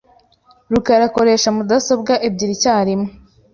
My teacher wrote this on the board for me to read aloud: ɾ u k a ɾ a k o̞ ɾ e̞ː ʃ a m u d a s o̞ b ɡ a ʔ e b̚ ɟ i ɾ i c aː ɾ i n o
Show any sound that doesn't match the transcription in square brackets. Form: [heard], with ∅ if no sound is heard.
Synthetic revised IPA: ɾ u k a ɾ a k o̞ ɾ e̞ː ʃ a m u d a s o̞ b ɡ a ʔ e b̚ ɟ i ɾ i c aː ɾ i [m] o